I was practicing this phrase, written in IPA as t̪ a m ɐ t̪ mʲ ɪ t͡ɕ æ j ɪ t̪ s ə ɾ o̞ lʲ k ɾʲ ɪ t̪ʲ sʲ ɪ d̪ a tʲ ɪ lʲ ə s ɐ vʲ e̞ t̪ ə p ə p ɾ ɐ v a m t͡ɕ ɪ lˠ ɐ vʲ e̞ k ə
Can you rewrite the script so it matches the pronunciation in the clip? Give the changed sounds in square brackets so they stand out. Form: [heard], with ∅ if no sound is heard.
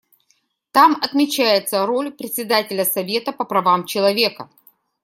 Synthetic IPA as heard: t̪ a m ɐ t̪ mʲ ɪ t͡ɕ æ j ɪ t̪ s ə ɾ o̞ lʲ [p] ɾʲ ɪ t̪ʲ sʲ ɪ d̪ a tʲ ɪ lʲ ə s ɐ vʲ e̞ t̪ ə p ə p ɾ ɐ v a m t͡ɕ ɪ lˠ ɐ vʲ e̞ k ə